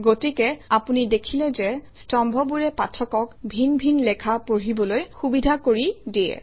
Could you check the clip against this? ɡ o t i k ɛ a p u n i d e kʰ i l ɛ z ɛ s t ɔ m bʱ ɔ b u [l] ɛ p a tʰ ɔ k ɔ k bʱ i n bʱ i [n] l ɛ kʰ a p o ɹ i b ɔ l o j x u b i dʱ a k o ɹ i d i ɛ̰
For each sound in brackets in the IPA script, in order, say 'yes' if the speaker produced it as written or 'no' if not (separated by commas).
no, yes